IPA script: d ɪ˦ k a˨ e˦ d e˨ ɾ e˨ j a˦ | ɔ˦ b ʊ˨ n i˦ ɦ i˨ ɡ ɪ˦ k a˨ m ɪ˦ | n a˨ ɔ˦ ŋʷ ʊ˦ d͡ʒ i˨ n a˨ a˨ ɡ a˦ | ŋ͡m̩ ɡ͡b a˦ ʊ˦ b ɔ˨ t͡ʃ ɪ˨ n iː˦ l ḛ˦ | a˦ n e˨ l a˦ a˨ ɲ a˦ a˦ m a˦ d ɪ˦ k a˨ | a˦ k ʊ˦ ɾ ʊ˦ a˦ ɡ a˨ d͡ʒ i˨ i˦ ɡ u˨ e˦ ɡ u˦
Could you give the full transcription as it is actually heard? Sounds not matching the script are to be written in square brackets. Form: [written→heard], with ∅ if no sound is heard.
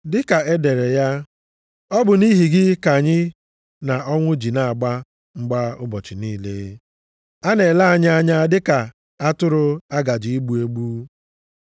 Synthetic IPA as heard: d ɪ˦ k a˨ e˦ d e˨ ɾ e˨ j a˦ | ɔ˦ b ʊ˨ n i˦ ɦ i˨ ɡ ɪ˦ k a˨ [m→ɲ] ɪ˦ | n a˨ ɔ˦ ŋʷ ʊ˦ d͡ʒ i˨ n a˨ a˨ [ɡ→ɡ͡b] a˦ | ŋ͡m̩ ɡ͡b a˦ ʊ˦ b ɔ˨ t͡ʃ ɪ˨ n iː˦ l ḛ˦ | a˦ n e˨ l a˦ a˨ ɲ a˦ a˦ [m→ɲ] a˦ d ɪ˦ k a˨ | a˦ [k→t] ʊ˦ ɾ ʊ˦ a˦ ɡ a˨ d͡ʒ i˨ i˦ [ɡ→ɡ͡b] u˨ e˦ [ɡ→ɡ͡b] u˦

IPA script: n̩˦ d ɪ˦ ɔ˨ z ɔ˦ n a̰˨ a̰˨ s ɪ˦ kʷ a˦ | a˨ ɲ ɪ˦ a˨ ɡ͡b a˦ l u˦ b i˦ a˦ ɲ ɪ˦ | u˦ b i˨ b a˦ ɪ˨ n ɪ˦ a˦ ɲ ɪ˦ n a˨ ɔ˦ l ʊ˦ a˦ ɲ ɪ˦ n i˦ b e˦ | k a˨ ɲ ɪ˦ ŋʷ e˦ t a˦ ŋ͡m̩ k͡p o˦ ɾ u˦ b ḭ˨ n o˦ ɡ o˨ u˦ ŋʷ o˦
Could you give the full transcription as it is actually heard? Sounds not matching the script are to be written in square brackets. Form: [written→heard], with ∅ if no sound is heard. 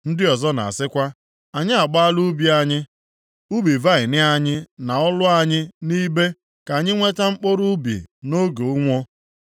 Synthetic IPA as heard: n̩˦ d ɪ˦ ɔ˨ z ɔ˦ n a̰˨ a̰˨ s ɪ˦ kʷ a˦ | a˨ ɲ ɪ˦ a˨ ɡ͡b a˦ l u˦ b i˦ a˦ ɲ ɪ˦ | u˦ b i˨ [b→v] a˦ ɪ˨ n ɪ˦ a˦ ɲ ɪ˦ n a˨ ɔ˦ l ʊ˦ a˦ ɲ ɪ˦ n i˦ b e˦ | k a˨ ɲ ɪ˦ ŋʷ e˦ t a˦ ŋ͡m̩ k͡p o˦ ɾ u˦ b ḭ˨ n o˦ ɡ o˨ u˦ ŋʷ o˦

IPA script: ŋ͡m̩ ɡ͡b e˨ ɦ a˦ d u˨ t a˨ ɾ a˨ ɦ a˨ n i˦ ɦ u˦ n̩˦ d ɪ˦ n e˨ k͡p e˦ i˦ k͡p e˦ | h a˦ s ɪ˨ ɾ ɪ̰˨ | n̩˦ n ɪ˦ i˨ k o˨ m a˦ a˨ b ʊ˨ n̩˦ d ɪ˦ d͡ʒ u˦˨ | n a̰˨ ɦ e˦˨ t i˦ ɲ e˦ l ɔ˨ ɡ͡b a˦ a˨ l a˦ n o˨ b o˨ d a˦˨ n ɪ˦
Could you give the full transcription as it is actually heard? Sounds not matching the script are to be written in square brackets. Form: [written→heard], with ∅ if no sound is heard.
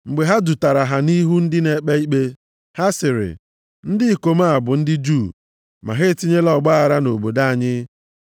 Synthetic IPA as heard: ŋ͡m̩ ɡ͡b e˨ ɦ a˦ d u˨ t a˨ ɾ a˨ ɦ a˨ n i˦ ɦ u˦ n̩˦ d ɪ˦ n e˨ k͡p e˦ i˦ k͡p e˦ | h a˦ s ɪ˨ ɾ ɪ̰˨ | n̩˦ [n→d] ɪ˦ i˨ k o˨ m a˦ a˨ b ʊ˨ n̩˦ d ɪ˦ d͡ʒ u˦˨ | [n→m] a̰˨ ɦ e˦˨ t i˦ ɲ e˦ l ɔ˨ ɡ͡b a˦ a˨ [l→ɾ] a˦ n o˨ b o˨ d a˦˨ [n→ɲ] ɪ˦

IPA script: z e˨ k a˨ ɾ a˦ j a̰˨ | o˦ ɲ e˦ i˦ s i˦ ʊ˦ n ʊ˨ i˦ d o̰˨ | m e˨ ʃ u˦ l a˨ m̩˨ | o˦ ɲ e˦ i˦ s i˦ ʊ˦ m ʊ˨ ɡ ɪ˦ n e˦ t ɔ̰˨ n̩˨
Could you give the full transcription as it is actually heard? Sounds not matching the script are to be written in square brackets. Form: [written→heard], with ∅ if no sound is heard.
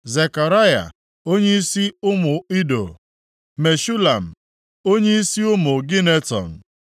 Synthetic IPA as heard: z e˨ k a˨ ɾ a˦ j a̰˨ | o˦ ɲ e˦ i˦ s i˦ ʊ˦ [n→m] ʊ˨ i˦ d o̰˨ | m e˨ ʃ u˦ l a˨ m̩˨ | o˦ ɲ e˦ i˦ s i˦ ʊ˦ m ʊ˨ ɡ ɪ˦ n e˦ t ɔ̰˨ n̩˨

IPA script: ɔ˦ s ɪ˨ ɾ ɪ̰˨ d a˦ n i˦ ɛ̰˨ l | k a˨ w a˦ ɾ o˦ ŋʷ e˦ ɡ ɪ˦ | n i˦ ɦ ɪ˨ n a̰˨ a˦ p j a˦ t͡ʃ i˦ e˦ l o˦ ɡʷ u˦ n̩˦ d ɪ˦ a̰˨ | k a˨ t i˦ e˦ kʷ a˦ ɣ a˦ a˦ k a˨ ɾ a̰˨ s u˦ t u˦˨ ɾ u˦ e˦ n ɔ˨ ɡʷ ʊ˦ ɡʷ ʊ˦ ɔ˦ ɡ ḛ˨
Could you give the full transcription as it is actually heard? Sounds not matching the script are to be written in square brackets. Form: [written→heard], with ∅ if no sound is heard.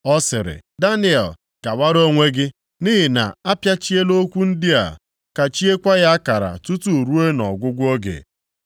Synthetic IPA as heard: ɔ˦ s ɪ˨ ɾ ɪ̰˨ d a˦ n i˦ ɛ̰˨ l | k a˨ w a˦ ɾ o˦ ŋʷ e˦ ɡ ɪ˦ | n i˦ ɦ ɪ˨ n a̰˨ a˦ p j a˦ t͡ʃ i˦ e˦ l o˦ [ɡʷ→kʷ] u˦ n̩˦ d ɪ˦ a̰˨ | k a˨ [t→t͡ʃ] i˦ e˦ kʷ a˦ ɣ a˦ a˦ k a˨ ɾ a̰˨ [s→t] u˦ t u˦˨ ɾ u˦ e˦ n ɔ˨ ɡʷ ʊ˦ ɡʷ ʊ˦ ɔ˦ ɡ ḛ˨

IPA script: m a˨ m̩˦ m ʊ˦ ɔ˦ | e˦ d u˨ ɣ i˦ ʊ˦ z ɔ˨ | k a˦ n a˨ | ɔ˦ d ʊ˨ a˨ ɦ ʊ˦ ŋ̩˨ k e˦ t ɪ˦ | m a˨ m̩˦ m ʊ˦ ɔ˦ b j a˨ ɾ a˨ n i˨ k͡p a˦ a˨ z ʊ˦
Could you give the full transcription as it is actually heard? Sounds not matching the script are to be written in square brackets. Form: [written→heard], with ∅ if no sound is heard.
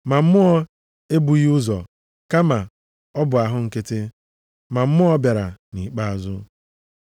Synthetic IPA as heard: m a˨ m̩˦ m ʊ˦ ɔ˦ | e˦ [d→b] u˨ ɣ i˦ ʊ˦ z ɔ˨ | k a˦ [n→m] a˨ | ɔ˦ [d→b] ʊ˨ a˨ ɦ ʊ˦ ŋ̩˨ k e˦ t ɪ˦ | m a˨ m̩˦ m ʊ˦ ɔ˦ b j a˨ ɾ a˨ n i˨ k͡p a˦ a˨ z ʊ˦

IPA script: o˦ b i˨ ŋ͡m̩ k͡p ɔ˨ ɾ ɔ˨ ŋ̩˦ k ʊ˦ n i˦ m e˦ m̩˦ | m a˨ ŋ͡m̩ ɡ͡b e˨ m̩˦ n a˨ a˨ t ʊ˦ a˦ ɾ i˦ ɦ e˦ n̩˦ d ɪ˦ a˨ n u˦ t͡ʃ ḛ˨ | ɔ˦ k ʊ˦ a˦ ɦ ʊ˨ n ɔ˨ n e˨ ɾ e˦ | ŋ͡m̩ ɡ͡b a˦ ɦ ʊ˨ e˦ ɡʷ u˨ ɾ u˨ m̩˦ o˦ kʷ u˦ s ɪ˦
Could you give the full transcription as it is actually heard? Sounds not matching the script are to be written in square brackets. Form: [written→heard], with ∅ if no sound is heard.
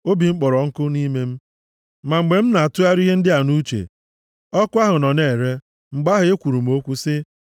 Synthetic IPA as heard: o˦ b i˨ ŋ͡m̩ k͡p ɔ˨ ɾ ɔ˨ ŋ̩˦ k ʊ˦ n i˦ m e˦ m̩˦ | m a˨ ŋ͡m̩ ɡ͡b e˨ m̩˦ n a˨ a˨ t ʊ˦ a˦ ɾ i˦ ɦ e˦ n̩˦ d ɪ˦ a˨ n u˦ t͡ʃ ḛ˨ | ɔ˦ k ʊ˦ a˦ ɦ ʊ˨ n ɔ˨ n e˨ ɾ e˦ | ŋ͡m̩ ɡ͡b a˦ ɦ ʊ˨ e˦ [ɡʷ→kʷ] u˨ ɾ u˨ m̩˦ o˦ kʷ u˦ s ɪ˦

